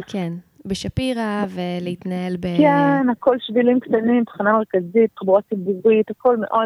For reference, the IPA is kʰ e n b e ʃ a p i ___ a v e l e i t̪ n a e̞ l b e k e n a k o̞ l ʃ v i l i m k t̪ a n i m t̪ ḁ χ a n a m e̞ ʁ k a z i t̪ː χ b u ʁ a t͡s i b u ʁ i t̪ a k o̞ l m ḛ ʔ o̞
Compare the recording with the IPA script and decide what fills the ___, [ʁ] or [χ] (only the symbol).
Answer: ʁ